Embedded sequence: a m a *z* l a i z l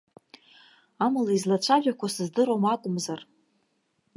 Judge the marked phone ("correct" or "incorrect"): incorrect